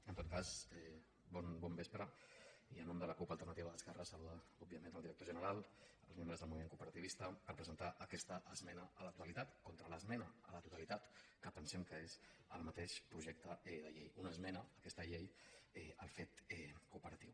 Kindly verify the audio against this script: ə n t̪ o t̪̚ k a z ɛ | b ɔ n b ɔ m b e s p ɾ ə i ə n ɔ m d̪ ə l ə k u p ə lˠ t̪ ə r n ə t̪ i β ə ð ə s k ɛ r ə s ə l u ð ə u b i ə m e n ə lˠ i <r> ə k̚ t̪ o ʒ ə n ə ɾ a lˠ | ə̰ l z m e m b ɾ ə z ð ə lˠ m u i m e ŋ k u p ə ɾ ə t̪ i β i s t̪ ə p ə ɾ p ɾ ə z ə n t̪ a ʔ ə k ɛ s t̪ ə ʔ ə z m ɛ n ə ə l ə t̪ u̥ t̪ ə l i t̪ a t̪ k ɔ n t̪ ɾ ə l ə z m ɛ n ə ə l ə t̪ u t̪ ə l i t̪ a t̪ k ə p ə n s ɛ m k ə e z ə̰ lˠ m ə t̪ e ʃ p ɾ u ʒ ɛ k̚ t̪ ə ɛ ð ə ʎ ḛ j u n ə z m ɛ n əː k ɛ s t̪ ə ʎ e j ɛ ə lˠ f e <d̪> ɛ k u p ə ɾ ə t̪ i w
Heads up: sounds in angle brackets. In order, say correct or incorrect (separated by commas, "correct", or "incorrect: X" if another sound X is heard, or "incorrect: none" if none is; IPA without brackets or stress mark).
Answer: incorrect: ɾ, incorrect: t̪